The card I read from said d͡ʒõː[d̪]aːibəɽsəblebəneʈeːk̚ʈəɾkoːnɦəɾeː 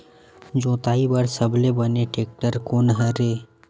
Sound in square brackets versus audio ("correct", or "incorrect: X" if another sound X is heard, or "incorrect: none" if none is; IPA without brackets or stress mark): incorrect: t̪